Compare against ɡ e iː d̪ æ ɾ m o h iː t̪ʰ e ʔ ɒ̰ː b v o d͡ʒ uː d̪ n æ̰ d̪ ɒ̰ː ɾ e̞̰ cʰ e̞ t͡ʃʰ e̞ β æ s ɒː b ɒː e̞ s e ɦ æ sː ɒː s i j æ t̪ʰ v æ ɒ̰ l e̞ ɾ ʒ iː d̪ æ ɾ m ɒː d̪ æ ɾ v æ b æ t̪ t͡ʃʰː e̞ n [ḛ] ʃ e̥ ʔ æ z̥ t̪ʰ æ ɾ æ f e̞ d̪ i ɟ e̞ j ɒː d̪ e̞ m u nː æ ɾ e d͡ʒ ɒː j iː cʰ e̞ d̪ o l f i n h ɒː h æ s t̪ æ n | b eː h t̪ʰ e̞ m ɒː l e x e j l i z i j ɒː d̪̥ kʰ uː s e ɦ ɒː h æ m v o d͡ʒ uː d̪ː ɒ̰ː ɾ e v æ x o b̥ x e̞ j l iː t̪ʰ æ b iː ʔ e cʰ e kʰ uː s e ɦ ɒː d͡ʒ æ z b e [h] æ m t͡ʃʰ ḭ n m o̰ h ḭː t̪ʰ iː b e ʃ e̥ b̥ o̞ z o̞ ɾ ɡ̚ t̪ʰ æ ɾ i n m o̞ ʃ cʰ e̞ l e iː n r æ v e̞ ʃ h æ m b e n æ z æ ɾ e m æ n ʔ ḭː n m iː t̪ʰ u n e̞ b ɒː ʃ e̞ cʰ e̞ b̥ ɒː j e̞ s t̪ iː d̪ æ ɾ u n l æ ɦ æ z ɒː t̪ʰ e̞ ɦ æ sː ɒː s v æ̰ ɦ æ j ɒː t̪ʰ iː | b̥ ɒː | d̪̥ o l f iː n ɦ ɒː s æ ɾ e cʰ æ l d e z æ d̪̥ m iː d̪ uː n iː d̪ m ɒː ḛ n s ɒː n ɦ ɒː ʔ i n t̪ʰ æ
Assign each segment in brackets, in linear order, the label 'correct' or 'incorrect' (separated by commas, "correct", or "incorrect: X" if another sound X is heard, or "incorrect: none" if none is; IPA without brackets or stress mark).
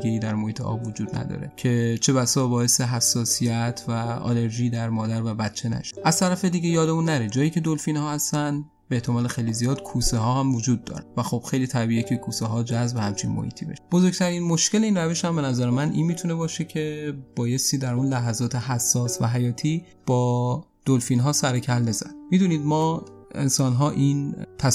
incorrect: æ̰, correct